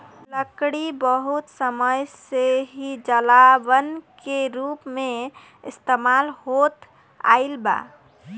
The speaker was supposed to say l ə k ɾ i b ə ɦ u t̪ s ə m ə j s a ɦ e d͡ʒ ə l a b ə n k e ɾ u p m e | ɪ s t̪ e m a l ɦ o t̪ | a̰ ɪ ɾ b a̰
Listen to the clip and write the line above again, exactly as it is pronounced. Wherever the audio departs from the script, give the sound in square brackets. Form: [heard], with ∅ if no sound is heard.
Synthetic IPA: l ə k [ɽ] i b ə ɦ u t̪ s ə m ə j s [e] ɦ [i] d͡ʒ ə l a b ə n k e ɾ u p m e | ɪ s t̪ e m a l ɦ o t̪ | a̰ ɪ [l] b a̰